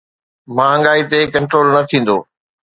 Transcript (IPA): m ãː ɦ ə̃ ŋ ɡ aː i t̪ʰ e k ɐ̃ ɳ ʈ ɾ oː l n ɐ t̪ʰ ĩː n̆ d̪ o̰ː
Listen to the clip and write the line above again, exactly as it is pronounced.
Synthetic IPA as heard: m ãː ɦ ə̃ ŋ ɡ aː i t̪ e k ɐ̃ ɳ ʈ ɾ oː l n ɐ t̪ʰ ĩː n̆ d̪ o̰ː